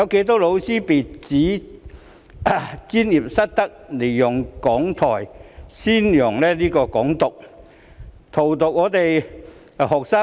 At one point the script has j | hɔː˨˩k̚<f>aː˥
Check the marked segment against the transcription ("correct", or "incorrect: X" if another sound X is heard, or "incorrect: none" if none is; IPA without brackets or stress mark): incorrect: s